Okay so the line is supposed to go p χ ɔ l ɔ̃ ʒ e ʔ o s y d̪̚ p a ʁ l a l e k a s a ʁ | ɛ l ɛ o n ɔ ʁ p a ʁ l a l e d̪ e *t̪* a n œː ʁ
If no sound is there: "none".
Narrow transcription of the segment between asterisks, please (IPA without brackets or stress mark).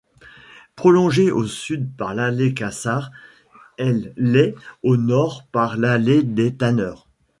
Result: t̪